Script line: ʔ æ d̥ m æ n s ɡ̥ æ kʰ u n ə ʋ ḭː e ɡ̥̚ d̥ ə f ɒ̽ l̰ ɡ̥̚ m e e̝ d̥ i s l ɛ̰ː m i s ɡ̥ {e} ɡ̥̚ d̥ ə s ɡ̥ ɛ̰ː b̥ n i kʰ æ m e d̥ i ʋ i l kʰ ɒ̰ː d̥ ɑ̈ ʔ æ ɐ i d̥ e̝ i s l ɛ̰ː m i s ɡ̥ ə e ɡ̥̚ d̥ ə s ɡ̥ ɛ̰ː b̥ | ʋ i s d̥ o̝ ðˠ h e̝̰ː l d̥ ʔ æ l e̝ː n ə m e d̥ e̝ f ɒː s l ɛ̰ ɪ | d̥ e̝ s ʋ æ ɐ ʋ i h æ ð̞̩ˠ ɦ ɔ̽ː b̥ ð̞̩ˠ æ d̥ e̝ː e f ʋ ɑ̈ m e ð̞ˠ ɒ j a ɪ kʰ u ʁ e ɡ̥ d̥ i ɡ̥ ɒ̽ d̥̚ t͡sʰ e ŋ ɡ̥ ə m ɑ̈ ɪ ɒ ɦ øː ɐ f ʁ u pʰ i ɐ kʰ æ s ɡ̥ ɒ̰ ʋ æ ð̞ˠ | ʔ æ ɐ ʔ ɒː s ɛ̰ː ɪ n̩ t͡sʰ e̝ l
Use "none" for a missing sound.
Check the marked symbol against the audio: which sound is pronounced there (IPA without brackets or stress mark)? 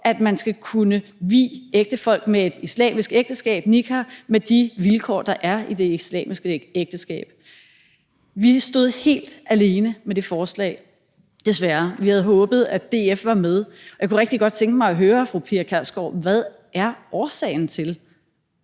e